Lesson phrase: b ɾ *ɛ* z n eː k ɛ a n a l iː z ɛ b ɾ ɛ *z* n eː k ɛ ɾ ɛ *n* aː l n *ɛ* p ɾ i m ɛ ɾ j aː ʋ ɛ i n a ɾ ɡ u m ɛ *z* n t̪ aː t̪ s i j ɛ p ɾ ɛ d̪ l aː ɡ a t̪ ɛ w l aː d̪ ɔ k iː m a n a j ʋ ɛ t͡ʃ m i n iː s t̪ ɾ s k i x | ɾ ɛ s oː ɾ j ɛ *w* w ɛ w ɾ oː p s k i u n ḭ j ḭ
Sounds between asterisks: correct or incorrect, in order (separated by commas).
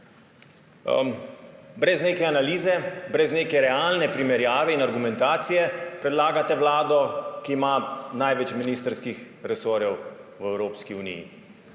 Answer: correct, correct, incorrect, correct, incorrect, correct